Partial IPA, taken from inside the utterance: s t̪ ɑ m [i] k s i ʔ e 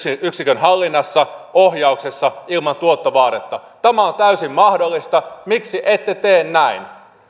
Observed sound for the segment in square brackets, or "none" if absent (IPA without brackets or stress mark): i